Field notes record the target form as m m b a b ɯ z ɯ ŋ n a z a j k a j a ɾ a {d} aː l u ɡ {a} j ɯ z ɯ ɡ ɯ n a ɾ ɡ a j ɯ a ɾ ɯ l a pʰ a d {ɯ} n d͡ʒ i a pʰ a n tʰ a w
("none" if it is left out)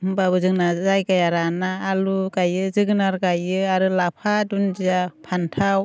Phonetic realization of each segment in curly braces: n, a, u

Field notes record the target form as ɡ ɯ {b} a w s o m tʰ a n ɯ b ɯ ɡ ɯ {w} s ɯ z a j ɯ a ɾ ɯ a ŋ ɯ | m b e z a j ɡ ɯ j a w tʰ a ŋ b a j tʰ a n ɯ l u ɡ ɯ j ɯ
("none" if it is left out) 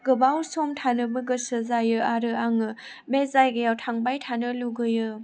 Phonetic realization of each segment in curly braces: b, none

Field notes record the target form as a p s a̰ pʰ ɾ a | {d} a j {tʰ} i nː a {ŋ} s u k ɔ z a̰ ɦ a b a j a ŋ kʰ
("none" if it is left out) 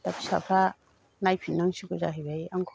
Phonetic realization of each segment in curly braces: n, pʰ, ŋ

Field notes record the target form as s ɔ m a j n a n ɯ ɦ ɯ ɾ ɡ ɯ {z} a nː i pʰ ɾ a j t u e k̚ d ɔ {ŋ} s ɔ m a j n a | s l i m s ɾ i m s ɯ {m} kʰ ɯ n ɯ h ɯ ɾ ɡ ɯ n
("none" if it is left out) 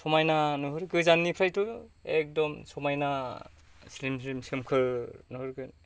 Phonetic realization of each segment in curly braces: z, m, m

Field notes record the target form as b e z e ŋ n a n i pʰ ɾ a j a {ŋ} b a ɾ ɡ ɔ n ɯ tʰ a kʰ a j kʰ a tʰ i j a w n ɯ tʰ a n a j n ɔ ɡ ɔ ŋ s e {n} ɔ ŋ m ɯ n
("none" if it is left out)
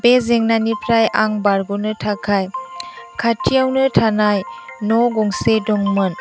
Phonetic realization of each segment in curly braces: ŋ, d

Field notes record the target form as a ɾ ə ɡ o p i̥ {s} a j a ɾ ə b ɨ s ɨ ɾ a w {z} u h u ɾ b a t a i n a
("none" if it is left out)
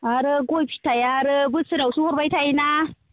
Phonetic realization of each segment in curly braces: t, s

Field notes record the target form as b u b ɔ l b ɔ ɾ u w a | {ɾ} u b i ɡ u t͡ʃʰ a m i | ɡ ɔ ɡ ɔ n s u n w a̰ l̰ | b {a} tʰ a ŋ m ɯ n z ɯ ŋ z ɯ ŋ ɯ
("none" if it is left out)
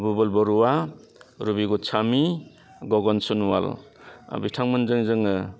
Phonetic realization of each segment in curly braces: ɾ, i

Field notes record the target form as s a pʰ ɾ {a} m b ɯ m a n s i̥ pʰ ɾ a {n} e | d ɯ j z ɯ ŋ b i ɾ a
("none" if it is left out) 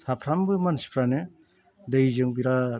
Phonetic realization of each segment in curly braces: a, n

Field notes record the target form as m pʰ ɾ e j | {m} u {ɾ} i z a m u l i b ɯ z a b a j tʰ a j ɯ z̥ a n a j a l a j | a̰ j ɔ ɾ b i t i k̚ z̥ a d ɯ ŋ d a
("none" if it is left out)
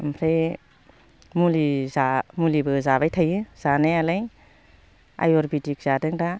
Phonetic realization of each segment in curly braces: m, l

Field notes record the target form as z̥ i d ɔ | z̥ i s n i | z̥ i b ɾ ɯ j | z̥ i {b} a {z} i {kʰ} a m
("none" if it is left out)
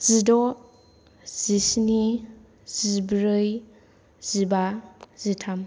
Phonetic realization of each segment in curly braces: b, z, tʰ

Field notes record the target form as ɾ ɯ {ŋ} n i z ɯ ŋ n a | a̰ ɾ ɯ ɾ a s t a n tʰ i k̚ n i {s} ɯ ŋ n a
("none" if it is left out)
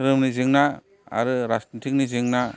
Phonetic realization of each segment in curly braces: m, z

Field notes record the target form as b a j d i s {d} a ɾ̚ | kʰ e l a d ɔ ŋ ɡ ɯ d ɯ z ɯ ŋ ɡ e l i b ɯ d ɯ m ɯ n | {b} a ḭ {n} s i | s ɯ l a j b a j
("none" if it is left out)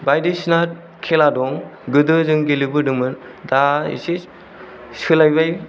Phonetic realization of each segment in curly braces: n, d, none

